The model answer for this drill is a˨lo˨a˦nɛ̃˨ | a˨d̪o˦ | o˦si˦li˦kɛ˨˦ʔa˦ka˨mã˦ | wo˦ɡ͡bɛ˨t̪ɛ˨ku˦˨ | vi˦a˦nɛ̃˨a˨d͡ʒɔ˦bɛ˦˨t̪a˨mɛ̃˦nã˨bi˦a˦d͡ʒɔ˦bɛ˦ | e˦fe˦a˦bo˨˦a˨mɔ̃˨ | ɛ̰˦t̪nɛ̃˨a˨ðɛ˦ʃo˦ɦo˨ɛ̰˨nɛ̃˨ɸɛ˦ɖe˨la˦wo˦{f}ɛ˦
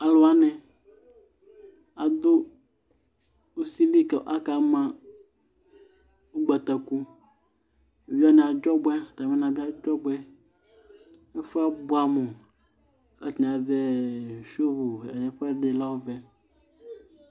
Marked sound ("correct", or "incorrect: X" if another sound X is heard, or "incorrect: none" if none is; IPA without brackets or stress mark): incorrect: v